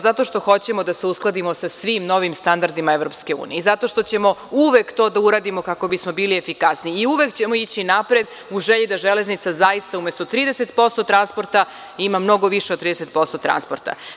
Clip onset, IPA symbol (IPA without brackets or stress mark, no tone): z